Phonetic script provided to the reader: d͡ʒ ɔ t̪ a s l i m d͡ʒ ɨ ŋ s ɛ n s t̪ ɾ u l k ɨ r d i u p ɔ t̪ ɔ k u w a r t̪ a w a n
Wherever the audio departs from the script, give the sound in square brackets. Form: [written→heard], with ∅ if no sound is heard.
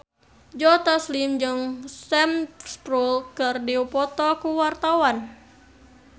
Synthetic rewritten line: d͡ʒ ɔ t̪ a s l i m d͡ʒ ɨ ŋ s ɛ [n→m] s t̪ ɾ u l k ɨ r d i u p ɔ t̪ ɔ k u w a r t̪ a w a n

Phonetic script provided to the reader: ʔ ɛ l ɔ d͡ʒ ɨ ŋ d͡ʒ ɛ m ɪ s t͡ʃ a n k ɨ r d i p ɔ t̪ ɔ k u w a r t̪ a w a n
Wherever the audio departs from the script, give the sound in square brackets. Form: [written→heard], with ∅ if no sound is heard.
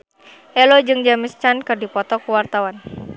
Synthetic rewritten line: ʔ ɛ l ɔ d͡ʒ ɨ ŋ d͡ʒ [ɛ→a] m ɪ s t͡ʃ a n k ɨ r d i p ɔ t̪ ɔ k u w a r t̪ a w a n

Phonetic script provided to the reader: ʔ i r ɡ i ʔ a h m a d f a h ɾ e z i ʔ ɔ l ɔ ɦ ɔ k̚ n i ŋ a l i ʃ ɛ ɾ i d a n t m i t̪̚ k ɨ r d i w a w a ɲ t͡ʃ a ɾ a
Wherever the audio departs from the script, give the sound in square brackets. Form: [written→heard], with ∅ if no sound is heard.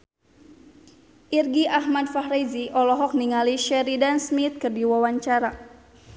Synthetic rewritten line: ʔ i r ɡ i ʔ a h m a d f a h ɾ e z i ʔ ɔ l ɔ ɦ ɔ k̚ n i ŋ a l i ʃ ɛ ɾ i d a n [t→s] m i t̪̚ k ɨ r d i w a w a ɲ t͡ʃ a ɾ a

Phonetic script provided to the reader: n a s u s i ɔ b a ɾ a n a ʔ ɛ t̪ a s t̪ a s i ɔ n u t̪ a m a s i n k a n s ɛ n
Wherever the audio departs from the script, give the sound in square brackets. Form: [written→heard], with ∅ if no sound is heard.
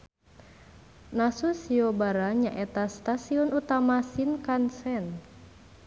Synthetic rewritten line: n a s u s i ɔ b a ɾ a [n→ɲ] a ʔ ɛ t̪ a s t̪ a s i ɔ n u t̪ a m a s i n k a n s ɛ n

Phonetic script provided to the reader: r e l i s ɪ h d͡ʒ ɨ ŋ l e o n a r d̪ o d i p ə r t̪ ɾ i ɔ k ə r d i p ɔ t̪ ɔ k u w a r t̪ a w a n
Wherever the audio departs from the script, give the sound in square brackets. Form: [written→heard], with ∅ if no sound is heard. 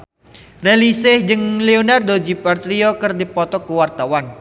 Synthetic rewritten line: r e l i s ɪ h d͡ʒ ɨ ŋ l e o n a r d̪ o [d→d͡ʒ] i p [ə→a] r t̪ ɾ i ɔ k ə r d i p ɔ t̪ ɔ k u w a r t̪ a w a n

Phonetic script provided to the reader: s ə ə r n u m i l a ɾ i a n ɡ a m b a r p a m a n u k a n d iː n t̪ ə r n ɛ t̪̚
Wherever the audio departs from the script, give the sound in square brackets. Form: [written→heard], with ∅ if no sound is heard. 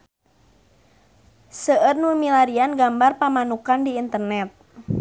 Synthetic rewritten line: s ə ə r n u m i l a ɾ i a n ɡ a m b a r p a m a n u k a n d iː n t̪ ə r n ɛ t̪̚

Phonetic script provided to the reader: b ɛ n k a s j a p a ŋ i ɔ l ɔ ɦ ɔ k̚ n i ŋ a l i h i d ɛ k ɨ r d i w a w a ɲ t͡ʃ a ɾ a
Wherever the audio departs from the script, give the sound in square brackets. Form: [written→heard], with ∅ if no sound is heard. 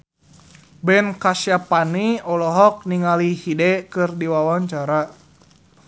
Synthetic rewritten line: b ɛ n k a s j a p a [ŋ→n] i ɔ l ɔ ɦ ɔ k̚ n i ŋ a l i h i d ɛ k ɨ r d i w a w a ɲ t͡ʃ a ɾ a

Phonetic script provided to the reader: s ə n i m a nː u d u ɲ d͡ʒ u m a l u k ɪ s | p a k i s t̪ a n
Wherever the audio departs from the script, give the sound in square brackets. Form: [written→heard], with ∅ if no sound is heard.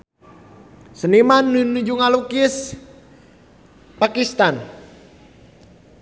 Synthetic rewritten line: s ə n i m a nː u [d→n] u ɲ d͡ʒ u [m→ŋ] a l u k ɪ s | p a k i s t̪ a n

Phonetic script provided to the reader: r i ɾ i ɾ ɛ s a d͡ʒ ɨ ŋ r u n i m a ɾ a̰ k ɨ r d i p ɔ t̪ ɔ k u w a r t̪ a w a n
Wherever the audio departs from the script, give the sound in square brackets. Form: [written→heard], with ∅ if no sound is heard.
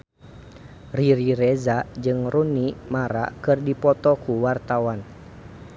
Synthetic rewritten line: r i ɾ i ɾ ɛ [s→z] a d͡ʒ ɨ ŋ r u n i m a ɾ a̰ k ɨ r d i p ɔ t̪ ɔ k u w a r t̪ a w a n

